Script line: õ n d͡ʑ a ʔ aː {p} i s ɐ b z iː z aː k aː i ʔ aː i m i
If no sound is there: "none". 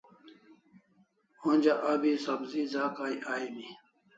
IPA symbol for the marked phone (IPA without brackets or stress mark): b